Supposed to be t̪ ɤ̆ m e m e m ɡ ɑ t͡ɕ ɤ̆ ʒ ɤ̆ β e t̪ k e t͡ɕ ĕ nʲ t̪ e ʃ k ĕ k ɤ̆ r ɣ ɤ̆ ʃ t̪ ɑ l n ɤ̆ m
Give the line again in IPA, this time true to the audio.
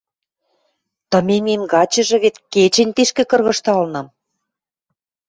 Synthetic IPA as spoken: t̪ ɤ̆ m e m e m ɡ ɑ t͡ɕ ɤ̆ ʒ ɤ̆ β e t̪ k e t͡ɕ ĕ nʲ t̪ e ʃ k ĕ k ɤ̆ r ɣ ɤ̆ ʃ t̪ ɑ l n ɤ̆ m

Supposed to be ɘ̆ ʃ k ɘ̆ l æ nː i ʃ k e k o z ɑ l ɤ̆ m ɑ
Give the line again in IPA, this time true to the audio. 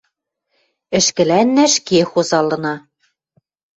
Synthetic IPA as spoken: ɘ̆ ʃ k ɘ̆ l æ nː æ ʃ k e x o z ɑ l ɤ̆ n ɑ

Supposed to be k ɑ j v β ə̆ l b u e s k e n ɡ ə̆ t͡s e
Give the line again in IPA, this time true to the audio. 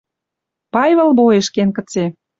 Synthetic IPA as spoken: p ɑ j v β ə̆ l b o e ʃ k e n k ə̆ t͡s e

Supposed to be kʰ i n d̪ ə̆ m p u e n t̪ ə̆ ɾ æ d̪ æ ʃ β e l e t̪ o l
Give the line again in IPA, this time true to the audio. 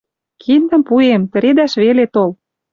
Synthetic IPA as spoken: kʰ i n d̪ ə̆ m p u e m t̪ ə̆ ɾ e d̪ æ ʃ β e l e t̪ o l

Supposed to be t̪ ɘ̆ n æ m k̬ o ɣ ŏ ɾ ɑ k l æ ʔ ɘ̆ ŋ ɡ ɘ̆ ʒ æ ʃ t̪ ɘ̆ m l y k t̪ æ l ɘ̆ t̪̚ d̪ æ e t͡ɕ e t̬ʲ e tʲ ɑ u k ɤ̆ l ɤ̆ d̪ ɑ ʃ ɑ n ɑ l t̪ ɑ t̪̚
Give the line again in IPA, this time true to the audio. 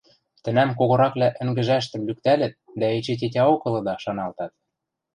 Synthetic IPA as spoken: t̪ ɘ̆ n æ m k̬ o ɣ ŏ ɾ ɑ k l æ ʔ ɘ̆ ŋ ɡ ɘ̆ ʒ æ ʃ t̪ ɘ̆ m l y k t̪ æ l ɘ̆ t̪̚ d̪ æ e t͡ɕ e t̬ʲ e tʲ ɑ o k ɤ̆ l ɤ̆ d̪ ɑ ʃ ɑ n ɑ l t̪ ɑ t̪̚

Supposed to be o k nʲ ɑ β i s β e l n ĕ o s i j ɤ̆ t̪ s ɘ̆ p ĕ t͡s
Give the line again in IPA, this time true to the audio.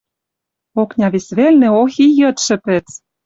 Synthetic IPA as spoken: o k nʲ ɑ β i s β e l n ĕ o x i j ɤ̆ t̪ ʃ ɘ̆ p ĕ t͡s

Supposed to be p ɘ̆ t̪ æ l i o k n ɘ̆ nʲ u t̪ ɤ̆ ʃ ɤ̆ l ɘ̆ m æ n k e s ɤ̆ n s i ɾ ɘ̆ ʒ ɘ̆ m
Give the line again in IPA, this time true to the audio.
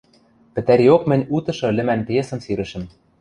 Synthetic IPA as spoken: p ɘ̆ t̪ æ ɾ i o k m ɘ̆ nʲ u t̪ ɤ̆ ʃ ɤ̆ l ɘ̆ m æ n p e s ɤ̆ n s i ɾ ɘ̆ ʃ ɘ̆ m

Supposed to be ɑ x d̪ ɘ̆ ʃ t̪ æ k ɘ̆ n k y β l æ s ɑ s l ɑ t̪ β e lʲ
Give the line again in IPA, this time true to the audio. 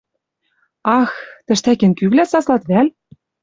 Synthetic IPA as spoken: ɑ x t̪ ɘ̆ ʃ t̪ æ k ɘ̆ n k y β l æ s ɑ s l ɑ t̪ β æ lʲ

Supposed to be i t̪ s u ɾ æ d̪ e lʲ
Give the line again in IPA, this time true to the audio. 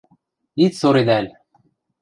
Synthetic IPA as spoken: i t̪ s o ɾ e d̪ æ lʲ

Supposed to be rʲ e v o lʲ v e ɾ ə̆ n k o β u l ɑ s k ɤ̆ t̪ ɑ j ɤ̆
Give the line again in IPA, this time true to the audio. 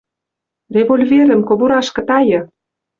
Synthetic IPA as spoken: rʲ e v o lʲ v e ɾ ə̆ m k o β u ɾ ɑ ʃ k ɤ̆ t̪ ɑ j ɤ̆

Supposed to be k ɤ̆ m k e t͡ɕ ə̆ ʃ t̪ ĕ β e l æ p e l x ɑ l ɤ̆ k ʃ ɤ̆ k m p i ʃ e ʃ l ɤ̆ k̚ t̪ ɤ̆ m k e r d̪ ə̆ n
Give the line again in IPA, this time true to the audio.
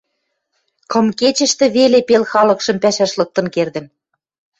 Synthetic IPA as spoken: k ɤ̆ m k e t͡ɕ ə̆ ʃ t̪ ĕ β e l e p e l x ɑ l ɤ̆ k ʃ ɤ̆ m p æ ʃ æ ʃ l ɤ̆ k̚ t̪ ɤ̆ n k e r d̪ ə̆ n

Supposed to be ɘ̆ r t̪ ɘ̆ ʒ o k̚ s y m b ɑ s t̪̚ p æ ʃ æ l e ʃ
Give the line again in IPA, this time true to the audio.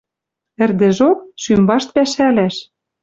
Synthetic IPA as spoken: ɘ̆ r d̪ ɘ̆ ʒ o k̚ ʃ y m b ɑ ʃ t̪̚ p æ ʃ æ l æ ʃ

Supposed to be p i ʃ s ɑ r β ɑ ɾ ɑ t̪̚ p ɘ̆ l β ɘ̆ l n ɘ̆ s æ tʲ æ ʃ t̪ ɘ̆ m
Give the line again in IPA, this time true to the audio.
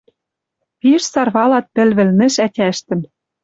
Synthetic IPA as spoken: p i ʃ s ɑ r β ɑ l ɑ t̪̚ p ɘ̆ l β ɘ̆ l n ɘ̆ ʃ æ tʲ æ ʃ t̪ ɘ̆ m

